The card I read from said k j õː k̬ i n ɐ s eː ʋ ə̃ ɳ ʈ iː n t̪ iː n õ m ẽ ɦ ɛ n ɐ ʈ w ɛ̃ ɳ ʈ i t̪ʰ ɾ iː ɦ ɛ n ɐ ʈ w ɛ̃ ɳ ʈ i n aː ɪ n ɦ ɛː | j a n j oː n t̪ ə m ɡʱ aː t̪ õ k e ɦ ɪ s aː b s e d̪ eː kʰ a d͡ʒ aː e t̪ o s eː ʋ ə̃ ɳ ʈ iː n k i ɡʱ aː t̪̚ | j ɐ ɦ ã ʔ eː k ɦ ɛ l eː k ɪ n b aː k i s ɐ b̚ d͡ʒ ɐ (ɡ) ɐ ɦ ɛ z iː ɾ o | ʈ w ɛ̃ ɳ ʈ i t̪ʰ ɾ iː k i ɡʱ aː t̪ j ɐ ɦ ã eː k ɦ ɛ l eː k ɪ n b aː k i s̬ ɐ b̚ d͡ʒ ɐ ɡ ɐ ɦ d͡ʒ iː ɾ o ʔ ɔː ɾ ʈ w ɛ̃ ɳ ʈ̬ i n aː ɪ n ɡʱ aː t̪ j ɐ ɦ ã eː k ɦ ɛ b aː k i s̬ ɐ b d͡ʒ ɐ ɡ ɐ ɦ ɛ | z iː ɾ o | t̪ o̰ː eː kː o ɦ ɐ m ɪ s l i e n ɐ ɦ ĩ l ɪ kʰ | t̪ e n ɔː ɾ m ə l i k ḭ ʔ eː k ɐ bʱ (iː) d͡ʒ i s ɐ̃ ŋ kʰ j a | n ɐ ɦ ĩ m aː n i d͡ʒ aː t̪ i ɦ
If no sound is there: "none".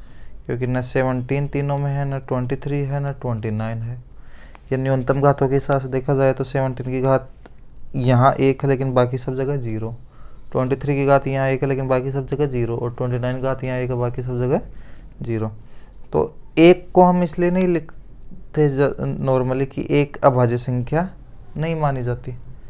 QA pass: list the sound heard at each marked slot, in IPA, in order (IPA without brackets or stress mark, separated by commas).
ɡ, aː